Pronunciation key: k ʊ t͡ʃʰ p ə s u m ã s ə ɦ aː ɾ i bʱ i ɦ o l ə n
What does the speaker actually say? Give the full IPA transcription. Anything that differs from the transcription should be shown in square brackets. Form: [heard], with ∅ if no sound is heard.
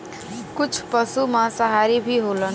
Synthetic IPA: k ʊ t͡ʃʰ p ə s u m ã s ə ɦ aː ɾ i bʱ i ɦ o l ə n